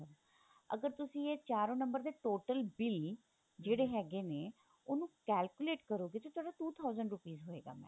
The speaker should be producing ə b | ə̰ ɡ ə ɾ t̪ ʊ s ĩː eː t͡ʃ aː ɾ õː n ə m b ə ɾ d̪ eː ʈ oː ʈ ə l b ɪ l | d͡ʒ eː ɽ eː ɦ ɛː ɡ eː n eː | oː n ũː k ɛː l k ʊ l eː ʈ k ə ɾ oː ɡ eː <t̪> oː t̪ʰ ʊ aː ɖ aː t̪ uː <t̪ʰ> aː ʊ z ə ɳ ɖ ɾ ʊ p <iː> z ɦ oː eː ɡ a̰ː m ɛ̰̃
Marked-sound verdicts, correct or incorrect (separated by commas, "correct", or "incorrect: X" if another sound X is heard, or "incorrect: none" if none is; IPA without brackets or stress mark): correct, correct, correct